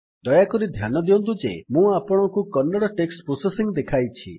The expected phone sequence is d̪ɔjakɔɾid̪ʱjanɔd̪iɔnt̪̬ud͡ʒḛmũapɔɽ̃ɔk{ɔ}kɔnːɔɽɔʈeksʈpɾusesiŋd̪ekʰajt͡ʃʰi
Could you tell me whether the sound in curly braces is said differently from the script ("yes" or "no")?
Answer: yes